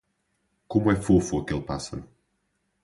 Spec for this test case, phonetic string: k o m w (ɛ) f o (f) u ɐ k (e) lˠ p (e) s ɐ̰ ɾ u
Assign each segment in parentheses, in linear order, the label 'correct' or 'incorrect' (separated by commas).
correct, correct, correct, incorrect